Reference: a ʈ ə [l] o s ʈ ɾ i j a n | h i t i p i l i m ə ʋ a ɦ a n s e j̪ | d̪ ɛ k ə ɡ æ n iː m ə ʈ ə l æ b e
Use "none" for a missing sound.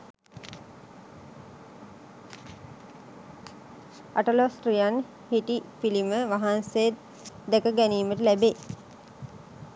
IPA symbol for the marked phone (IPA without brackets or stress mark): l